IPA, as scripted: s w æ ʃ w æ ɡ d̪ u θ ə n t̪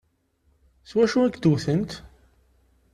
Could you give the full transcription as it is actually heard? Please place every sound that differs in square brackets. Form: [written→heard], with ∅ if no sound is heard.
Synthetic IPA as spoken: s w æ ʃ [w→u] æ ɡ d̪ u θ ə n t̪